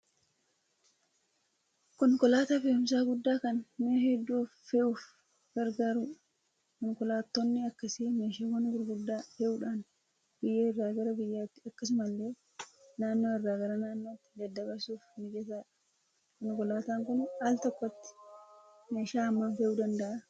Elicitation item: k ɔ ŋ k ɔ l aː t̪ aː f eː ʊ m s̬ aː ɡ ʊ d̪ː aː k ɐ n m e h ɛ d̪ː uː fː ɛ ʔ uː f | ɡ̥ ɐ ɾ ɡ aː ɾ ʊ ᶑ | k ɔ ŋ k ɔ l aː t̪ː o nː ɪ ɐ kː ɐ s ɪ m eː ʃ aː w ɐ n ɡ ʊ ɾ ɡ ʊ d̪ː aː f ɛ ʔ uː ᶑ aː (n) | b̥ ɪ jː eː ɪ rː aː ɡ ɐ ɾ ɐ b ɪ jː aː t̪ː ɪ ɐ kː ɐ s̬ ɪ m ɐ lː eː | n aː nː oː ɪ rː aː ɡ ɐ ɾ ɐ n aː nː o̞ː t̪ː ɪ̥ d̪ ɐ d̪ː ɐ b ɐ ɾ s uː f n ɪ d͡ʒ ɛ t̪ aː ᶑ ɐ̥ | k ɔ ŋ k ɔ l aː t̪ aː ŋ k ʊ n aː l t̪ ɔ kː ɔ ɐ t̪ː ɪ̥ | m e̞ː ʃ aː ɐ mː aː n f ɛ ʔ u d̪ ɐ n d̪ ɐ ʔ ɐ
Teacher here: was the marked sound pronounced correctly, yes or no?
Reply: yes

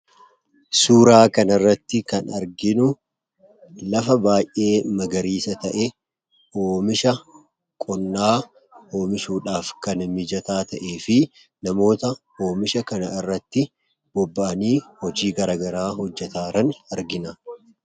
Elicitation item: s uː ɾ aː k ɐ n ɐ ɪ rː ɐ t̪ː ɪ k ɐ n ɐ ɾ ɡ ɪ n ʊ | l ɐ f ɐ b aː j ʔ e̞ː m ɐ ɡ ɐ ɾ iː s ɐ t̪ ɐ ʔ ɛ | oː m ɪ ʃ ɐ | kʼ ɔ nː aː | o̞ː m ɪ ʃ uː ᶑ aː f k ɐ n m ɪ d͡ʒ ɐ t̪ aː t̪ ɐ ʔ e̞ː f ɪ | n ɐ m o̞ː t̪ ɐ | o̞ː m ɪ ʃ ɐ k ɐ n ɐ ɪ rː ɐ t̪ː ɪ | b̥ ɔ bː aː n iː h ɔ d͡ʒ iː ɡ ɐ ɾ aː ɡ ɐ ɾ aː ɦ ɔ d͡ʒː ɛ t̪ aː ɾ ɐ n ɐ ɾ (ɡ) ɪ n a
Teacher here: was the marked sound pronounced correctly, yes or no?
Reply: yes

